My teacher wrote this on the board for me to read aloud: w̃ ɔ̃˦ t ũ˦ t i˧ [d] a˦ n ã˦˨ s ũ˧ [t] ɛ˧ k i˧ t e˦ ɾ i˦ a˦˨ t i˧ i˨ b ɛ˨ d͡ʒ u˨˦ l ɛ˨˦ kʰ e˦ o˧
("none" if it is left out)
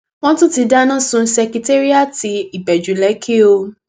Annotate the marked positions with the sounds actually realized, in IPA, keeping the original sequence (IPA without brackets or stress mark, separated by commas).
d, s